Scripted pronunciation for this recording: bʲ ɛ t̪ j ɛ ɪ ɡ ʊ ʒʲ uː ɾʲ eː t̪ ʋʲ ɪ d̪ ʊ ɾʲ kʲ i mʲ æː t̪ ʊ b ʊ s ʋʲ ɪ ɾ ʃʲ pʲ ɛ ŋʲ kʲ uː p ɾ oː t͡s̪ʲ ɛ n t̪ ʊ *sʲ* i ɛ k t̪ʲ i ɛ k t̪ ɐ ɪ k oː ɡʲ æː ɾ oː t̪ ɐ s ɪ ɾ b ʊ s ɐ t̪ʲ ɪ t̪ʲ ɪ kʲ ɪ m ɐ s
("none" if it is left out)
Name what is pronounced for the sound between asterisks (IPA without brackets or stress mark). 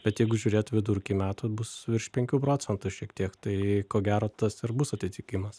ʃʲ